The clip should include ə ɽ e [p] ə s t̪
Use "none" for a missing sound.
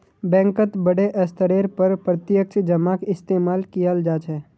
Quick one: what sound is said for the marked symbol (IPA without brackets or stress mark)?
ʔ